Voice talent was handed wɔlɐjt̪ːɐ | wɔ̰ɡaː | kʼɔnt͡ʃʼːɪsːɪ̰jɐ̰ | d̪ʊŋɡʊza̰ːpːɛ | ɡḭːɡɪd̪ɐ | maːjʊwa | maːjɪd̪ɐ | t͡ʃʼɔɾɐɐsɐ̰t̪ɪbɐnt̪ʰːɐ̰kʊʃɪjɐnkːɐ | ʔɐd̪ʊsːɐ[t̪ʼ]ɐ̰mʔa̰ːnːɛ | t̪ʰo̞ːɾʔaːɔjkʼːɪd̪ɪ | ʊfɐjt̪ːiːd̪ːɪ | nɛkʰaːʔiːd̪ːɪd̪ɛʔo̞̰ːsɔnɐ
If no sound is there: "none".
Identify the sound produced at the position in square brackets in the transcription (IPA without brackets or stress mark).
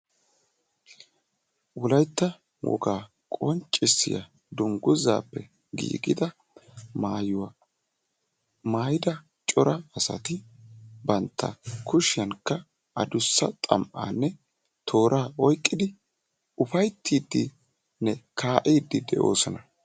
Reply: t̪ʼ